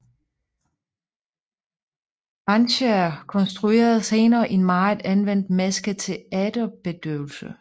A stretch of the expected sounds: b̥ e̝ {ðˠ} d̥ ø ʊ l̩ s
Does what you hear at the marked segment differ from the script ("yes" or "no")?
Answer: yes